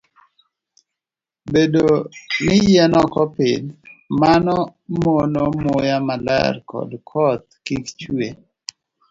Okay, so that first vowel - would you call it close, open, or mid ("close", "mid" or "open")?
mid